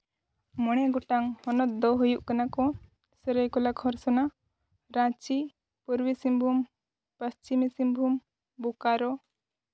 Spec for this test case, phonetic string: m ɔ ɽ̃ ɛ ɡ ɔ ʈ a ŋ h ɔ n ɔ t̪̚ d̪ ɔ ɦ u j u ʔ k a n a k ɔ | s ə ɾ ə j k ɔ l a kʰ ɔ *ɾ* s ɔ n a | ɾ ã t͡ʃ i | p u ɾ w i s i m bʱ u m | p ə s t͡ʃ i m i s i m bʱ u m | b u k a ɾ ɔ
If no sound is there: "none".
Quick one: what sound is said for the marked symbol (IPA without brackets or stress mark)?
ɾ